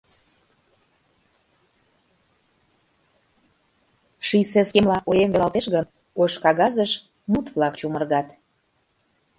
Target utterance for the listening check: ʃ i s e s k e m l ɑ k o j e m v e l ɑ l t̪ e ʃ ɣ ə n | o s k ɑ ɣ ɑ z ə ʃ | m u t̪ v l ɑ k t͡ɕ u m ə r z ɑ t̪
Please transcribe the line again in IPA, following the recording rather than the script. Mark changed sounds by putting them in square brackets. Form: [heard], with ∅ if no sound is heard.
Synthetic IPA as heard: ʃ i s e s k e m l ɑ [ʔ] o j e m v e l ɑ l t̪ e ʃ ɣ ə n | o [ʃ] k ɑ ɣ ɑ z ə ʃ | m u t̪ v l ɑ k t͡ɕ u m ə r [ɣ] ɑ t̪